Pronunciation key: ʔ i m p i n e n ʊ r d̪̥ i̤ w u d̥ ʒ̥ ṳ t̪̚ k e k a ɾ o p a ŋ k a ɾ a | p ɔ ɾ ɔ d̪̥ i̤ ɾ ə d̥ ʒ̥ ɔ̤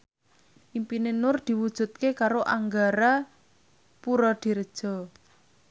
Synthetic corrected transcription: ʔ i m p i n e n ʊ r d̪̥ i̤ w u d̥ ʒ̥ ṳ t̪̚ k e k a ɾ o ʔ a ŋ ɡ a ɾ a | p u ɾ ɔ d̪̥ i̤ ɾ ə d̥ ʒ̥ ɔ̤